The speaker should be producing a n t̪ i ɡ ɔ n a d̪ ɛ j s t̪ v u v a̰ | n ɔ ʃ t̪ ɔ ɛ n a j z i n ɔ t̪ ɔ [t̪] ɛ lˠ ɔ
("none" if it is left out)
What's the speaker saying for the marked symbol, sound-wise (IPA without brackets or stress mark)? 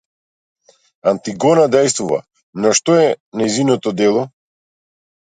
d̪